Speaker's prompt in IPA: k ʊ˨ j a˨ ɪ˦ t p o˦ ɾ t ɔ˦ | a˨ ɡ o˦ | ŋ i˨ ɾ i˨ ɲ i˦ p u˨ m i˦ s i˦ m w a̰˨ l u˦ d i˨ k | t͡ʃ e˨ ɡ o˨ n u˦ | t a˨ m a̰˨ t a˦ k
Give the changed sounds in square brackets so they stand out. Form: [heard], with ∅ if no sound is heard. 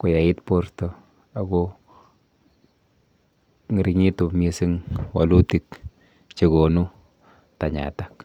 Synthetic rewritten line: k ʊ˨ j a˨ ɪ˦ t p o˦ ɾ t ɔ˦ | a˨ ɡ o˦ | ŋ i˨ ɾ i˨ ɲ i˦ [t] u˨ m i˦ s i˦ [ŋ] w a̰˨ l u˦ [t] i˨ k | t͡ʃ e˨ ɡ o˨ n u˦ | t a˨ [ɲ] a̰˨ t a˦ k